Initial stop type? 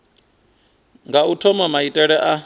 plain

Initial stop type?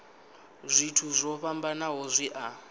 aspirated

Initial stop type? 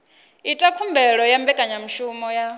ejective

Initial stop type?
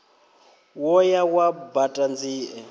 plain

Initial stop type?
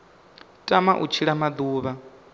ejective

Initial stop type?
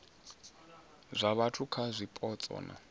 aspirated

